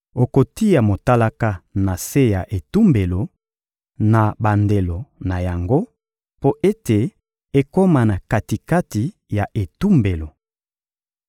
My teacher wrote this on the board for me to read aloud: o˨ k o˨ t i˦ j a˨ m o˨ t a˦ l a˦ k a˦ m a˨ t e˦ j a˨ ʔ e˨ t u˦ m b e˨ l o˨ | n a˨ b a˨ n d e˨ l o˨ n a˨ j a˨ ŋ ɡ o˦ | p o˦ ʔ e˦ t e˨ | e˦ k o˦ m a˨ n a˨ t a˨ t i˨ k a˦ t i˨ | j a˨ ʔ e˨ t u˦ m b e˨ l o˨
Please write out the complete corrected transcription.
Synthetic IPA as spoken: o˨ k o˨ t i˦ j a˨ m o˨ t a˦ l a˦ k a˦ n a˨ s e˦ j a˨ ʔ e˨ t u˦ m b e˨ l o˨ | n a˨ b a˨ n d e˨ l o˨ n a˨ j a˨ ŋ ɡ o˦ | p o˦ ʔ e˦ t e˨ | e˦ k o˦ m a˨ n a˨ k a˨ t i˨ k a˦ t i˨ | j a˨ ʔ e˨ t u˦ m b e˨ l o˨